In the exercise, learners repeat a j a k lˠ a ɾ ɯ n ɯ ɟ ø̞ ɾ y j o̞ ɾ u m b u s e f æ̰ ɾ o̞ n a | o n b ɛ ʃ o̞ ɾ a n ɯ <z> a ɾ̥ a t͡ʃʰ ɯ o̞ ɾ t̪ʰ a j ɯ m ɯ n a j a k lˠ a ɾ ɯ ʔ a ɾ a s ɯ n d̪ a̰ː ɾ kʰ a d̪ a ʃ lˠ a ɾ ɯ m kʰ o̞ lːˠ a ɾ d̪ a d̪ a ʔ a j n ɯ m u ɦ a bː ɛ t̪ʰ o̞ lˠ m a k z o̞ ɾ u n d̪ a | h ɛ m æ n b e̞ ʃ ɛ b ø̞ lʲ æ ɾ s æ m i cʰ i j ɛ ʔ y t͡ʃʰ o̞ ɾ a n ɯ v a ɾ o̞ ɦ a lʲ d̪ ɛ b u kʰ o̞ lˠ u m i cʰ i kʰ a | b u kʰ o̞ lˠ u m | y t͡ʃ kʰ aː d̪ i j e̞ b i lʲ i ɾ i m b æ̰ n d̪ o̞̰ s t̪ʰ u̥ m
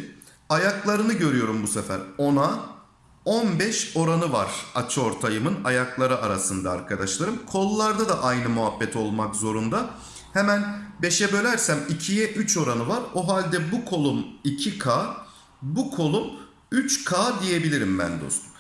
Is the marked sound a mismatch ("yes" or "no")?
yes